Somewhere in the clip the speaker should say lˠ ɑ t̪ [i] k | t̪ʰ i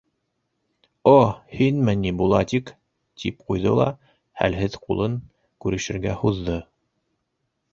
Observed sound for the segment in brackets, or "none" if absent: i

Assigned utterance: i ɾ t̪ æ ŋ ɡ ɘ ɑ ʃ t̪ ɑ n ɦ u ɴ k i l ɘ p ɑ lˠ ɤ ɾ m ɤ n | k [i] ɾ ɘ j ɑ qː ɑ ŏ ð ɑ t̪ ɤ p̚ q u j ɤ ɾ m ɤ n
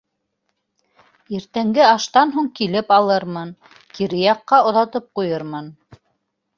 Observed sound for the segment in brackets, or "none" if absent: i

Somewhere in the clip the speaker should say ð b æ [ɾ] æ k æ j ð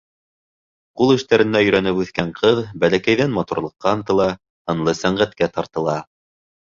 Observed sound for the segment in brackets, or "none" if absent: l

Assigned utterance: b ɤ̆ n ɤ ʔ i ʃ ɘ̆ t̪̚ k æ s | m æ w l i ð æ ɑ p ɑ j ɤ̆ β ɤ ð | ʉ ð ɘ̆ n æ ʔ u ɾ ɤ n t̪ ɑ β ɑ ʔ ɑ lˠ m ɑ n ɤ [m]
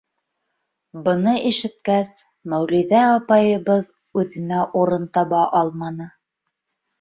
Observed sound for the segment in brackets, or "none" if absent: none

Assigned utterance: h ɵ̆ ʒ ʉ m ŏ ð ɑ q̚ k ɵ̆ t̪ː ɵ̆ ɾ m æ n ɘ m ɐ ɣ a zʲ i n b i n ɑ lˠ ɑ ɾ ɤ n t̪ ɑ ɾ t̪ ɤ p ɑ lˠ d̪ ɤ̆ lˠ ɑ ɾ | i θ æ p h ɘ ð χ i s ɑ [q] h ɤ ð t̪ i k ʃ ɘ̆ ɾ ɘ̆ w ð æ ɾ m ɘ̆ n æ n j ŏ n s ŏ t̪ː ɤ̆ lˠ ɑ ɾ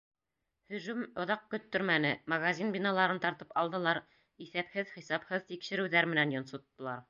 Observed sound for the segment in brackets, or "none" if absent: p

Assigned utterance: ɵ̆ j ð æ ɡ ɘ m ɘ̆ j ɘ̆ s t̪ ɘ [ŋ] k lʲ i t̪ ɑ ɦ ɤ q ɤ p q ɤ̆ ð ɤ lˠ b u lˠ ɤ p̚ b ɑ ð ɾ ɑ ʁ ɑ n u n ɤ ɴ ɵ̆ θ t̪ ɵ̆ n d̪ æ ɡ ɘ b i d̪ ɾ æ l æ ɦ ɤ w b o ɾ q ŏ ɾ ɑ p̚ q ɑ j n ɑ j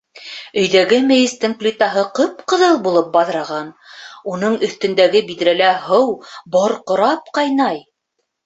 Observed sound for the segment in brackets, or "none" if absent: ŋ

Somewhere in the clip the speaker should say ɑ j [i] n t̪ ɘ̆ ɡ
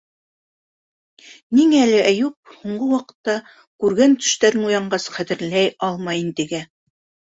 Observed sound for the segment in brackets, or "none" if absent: i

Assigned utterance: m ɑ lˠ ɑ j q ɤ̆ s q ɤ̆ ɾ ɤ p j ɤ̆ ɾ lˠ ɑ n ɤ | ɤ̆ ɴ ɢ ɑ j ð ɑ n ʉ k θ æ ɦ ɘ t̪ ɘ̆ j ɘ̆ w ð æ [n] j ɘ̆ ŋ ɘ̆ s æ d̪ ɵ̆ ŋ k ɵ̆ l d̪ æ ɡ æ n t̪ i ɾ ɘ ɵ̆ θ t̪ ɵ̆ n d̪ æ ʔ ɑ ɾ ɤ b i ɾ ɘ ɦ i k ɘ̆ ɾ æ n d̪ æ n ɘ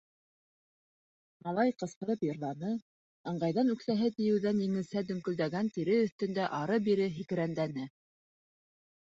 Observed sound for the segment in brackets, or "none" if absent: n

